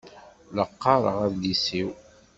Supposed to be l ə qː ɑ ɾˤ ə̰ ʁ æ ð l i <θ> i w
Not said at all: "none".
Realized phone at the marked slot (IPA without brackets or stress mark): s